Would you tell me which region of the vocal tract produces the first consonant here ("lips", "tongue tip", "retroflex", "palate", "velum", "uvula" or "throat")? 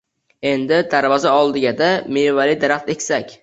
tongue tip